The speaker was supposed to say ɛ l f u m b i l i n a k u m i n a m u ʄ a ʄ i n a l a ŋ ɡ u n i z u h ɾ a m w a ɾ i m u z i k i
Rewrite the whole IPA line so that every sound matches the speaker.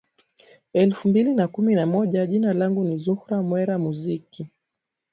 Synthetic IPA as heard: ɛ l f u m b i l i n a k u m i n a m ɔ ʄ a ʄ i n a l a ŋ ɡ u n i z u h ɾ a m w ɛ ɾ a m u z i k i